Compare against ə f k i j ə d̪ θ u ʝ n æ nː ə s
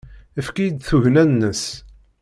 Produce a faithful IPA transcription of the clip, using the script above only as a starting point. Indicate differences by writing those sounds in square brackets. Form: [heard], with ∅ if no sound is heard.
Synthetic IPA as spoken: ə f k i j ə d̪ θ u ʝ n æ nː ə s